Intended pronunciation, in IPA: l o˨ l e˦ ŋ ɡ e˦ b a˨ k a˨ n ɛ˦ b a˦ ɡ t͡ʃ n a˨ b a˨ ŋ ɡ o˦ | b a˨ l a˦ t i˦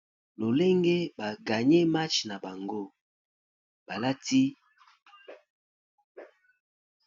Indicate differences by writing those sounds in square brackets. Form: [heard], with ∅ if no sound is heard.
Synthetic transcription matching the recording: l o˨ l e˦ ŋ ɡ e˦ b a˨ [ɡ] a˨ [ɲ] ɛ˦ [m] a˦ [∅] t͡ʃ n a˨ b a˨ ŋ ɡ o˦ | b a˨ l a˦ t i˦